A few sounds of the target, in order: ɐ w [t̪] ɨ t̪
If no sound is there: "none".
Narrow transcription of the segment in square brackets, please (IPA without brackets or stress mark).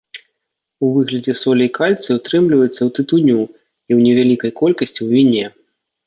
t̪